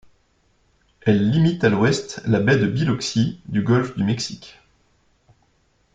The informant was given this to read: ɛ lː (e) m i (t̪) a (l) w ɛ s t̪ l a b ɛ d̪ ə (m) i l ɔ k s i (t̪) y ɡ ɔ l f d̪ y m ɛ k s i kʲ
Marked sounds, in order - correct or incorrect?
incorrect: i, correct, correct, incorrect: b, incorrect: d̪

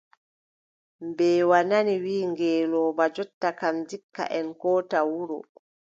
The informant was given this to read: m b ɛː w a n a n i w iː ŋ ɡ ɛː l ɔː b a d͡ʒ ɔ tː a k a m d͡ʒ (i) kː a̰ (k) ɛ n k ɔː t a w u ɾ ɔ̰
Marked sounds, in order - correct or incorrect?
correct, incorrect: ʔ

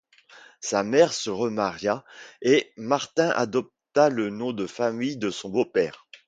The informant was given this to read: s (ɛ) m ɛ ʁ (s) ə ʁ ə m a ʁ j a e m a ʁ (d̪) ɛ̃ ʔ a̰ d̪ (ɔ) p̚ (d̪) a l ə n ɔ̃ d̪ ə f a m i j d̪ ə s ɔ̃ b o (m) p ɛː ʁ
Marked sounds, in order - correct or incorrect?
incorrect: a, correct, incorrect: t̪, correct, incorrect: t̪, incorrect: none

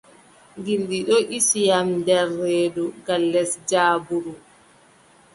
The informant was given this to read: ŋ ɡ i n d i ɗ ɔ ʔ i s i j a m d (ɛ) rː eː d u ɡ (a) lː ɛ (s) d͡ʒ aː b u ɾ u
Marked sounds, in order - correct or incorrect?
correct, correct, correct

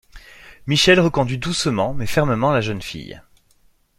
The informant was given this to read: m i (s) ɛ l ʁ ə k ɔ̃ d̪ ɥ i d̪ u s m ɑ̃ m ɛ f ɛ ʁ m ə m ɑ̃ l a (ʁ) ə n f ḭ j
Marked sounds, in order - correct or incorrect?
incorrect: ʃ, incorrect: ʒ

